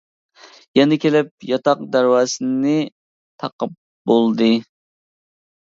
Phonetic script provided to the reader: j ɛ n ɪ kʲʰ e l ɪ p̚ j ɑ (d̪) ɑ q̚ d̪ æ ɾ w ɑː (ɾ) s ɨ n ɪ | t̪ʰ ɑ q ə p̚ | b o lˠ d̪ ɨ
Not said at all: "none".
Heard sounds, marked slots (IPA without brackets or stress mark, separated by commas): t̪, none